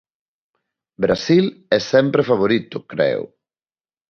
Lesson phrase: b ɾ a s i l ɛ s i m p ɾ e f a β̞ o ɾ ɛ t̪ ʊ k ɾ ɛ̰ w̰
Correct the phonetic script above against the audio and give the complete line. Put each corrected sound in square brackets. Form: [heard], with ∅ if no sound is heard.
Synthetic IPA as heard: b ɾ a s i l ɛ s [ɛ] m p ɾ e f a β̞ o ɾ [i] t̪ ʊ k ɾ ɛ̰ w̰